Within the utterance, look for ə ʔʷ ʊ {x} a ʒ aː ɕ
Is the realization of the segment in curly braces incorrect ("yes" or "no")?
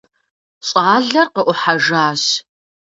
yes